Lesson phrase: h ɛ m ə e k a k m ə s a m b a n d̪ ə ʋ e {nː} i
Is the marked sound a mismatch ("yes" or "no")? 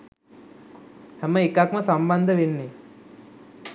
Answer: no